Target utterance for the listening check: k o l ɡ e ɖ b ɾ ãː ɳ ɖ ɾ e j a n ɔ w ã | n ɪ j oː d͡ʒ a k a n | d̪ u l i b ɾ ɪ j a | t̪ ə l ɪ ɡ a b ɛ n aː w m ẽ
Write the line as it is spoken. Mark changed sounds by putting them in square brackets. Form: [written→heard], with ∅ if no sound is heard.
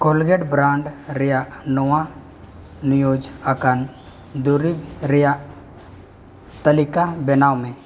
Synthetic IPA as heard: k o l ɡ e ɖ b ɾ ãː ɳ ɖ ɾ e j a n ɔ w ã | n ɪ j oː d͡ʒ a k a n | d̪ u [l→ɾ] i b ɾ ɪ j a | t̪ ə l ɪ [ɡ→k] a b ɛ n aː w m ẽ